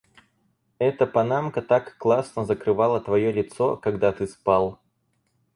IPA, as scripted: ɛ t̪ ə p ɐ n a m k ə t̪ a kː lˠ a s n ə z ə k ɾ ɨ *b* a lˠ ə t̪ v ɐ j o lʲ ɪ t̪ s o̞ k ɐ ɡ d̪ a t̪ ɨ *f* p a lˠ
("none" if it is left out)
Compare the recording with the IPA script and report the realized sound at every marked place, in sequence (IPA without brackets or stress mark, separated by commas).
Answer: v, s